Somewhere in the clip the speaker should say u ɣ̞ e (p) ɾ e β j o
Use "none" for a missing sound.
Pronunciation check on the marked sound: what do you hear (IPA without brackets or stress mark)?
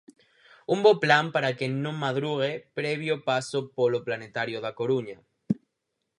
p